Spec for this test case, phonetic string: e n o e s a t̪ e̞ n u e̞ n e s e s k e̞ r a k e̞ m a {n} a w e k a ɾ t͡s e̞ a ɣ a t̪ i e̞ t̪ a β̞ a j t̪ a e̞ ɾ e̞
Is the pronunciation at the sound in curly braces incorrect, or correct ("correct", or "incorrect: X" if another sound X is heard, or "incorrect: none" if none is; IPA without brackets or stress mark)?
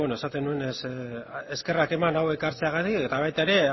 correct